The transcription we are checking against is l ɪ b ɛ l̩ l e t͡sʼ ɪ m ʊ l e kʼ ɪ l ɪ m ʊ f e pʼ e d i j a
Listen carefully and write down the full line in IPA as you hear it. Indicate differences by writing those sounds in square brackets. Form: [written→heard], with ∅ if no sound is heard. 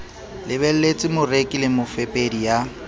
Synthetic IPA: l ɪ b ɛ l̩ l e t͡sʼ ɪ m ʊ [l→r] e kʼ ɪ l ɪ m ʊ f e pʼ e d i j a